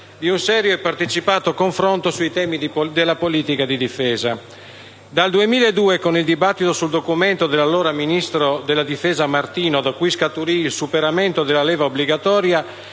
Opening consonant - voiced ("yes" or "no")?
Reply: yes